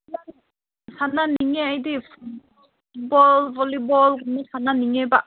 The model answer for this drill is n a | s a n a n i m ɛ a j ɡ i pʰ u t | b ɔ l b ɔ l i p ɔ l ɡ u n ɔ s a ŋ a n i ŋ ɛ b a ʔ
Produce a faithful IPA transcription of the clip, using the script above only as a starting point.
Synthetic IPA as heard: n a | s a n a n i ŋ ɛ a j d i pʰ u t | b ɔ l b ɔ l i b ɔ l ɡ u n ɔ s a n a n i ŋ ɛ b a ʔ